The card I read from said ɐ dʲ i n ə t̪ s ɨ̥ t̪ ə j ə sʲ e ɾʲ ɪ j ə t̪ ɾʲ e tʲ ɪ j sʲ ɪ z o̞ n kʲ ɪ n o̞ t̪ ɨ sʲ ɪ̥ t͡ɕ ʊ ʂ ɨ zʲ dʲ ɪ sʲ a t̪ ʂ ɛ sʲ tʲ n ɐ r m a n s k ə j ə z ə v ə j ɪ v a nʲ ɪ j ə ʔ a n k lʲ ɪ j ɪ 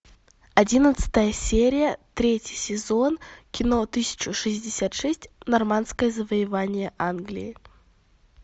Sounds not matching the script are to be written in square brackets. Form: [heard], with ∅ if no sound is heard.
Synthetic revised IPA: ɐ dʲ i n ə t̪ s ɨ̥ t̪ ə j ə sʲ e ɾʲ ɪ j ə t̪ ɾʲ e tʲ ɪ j sʲ ɪ z o̞ n kʲ ɪ n o̞ t̪ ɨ sʲ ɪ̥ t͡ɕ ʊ ʂ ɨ zʲ dʲ ɪ sʲ a t̪ ʂ ɛ sʲ tʲ n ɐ r m a n s k ə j ə z ə v ə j ɪ v a nʲ ɪ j ə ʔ a n [ɡ] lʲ ɪ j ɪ